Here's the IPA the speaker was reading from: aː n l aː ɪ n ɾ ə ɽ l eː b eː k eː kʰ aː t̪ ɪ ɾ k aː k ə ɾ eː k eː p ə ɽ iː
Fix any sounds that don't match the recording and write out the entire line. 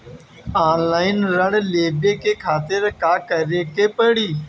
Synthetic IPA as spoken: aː n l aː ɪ n ɾ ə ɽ l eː b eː k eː kʰ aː t̪ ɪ ɾ k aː k ə ɾ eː k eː p ə ɽ iː